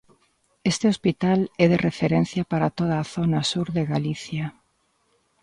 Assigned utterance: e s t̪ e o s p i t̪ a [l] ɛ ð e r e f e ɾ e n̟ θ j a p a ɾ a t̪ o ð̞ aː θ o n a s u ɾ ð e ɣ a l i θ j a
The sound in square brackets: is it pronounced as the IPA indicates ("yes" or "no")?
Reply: yes